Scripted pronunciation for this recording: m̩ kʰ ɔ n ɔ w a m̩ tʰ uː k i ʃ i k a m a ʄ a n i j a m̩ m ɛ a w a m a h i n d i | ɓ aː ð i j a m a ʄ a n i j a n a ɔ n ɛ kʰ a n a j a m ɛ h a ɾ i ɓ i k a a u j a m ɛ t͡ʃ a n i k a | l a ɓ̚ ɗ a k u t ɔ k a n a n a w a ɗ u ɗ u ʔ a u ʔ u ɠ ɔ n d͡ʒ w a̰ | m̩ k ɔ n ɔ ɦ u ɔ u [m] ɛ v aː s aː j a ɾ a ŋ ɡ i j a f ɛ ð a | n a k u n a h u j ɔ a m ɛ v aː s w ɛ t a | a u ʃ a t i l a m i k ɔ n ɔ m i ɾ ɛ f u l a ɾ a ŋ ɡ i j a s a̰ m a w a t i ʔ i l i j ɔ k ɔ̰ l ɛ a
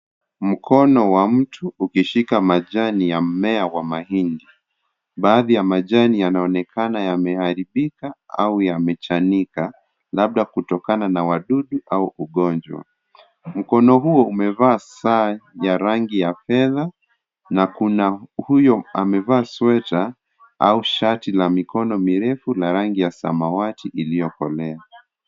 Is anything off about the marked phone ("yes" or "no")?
no